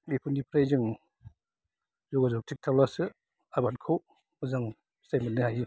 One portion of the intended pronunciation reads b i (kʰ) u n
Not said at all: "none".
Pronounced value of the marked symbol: pʰ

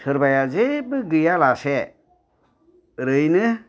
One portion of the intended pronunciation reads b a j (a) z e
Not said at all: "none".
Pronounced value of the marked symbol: a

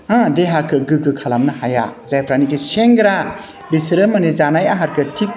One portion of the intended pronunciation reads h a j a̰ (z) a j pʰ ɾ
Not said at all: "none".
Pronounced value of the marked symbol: z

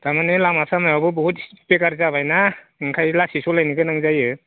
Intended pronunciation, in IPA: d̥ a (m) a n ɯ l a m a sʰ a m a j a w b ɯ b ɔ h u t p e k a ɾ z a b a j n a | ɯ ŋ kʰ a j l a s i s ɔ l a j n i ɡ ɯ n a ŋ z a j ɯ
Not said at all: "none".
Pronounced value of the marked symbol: m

